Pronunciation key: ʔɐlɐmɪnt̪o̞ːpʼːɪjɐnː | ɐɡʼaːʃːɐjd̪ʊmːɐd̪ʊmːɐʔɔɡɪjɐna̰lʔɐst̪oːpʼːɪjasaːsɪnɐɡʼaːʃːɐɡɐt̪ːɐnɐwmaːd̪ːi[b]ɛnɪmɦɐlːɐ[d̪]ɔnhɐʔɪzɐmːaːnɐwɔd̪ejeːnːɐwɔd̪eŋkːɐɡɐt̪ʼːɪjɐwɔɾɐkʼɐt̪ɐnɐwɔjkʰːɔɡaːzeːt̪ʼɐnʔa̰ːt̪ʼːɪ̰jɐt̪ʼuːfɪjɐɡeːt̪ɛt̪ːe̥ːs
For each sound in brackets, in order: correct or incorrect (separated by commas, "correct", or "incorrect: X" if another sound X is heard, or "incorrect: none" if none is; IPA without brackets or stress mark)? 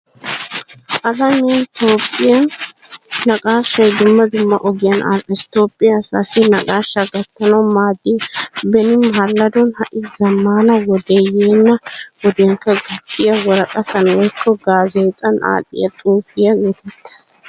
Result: correct, correct